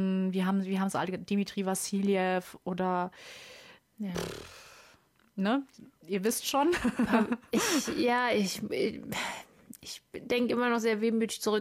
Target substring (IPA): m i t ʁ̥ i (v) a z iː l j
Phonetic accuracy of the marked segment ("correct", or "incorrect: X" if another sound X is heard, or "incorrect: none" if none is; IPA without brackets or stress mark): correct